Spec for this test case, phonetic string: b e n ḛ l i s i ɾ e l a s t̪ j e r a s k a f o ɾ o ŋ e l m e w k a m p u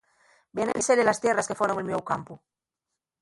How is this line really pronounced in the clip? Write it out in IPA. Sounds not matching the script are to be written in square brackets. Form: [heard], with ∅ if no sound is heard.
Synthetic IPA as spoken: b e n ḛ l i s [e] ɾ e l a s t̪ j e r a s k [e] f o ɾ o ŋ e l m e w k a m p u